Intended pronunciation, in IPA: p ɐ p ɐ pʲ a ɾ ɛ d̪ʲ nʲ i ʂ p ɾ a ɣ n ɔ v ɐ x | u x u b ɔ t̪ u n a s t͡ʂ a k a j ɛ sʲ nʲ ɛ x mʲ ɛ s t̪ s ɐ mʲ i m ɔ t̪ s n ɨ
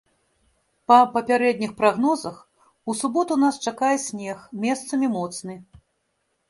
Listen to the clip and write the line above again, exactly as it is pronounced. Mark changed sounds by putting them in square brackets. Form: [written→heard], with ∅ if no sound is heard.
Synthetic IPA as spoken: p ɐ p ɐ pʲ a ɾ ɛ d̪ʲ nʲ i [ʂ→x] p ɾ a ɣ n ɔ [v→z] ɐ x | u [x→s] u b ɔ t̪ u n a s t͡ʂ a k a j ɛ sʲ nʲ ɛ x mʲ ɛ s t̪ s ɐ mʲ i m ɔ t̪ s n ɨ